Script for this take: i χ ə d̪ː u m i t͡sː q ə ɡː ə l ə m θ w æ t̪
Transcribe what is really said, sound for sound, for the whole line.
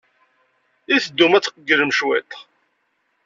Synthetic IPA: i θ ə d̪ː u m æ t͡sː q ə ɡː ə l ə m ʃ w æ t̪